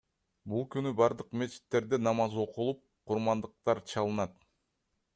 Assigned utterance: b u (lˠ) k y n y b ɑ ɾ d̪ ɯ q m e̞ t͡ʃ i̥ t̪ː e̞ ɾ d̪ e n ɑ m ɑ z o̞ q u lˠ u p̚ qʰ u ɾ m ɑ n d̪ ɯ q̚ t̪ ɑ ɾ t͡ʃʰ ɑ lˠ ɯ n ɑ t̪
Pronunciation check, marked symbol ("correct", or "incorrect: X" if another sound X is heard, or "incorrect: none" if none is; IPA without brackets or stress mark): correct